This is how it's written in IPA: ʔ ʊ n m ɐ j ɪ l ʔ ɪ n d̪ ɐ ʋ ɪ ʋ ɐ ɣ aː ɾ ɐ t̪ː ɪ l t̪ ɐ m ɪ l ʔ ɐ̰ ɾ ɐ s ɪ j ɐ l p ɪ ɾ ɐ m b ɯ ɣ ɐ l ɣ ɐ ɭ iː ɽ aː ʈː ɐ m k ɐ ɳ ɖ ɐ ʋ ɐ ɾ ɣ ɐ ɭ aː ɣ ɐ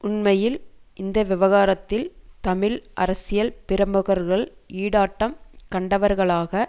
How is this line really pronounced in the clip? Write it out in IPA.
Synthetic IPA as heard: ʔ ʊ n m ɐ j ɪ l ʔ ɪ n d̪ ɐ ʋ ɪ ʋ ɐ ɣ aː ɾ ɐ t̪ː ɪ l t̪ ɐ m ɪ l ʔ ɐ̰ ɾ ɐ s ɪ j ɐ l p ɪ ɾ ɐ m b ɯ ɣ ɐ ɾ ɣ ɐ ɭ iː ɽ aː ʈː ɐ m k ɐ ɳ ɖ ɐ ʋ ɐ ɾ ɣ ɐ ɭ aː ɣ ɐ